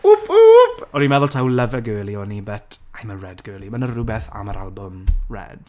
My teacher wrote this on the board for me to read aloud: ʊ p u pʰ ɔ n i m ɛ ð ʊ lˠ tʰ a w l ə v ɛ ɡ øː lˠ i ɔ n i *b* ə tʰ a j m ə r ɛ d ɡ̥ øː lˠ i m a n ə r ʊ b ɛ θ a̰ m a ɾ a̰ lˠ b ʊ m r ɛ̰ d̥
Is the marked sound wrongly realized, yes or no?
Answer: no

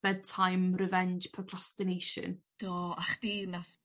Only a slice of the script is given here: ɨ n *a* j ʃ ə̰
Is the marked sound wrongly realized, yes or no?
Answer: yes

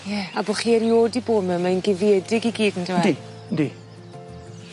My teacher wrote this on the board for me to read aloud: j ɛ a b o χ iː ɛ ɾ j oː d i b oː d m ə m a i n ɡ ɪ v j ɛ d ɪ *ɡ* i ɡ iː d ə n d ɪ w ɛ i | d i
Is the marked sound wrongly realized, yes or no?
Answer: no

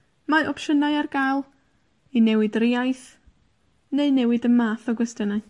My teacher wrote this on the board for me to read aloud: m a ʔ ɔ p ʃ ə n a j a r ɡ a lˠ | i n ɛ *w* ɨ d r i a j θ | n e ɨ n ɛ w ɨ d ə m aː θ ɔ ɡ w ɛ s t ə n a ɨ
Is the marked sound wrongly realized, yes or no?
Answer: no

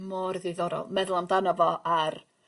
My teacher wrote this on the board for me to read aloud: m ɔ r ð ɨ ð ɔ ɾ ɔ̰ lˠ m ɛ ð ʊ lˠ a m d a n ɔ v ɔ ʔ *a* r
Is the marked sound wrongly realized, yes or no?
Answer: no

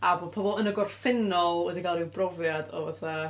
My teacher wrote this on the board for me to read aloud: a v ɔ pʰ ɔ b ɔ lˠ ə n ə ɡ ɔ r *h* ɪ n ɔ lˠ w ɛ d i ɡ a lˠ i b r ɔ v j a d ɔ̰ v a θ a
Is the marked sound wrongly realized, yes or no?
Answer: yes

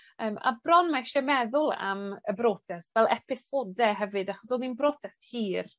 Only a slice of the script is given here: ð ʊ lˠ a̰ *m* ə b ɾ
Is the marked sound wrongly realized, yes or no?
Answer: no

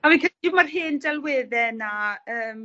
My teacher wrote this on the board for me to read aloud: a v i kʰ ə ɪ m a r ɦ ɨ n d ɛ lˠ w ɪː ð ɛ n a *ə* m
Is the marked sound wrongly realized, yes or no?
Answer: yes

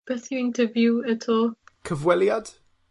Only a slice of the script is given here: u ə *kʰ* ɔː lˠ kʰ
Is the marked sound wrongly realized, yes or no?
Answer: yes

